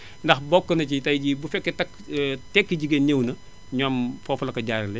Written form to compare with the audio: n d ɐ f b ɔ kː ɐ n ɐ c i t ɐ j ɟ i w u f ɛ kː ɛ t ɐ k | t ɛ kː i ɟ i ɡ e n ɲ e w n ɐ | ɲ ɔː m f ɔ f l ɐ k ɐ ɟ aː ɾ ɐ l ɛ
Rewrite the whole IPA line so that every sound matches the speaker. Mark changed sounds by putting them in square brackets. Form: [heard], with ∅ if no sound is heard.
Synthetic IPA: n d ɐ [x] b ɔ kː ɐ n ɐ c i t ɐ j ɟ i [b] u f ɛ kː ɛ t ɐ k | t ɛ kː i ɟ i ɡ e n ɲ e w n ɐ | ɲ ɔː m f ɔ f l ɐ k ɐ ɟ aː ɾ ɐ l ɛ